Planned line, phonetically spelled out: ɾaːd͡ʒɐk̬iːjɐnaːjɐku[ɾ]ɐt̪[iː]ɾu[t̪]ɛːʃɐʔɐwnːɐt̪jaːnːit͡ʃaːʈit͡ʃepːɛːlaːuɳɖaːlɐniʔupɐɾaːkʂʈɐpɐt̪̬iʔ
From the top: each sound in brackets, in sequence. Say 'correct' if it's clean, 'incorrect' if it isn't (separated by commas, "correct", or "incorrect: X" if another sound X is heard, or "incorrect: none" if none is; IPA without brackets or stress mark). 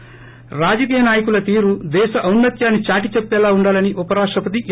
incorrect: l, correct, incorrect: d̪